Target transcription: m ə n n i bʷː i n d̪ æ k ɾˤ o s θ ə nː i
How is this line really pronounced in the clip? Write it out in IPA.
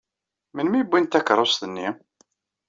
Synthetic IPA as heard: m ə n m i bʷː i n t̪ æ k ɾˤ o s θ ə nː i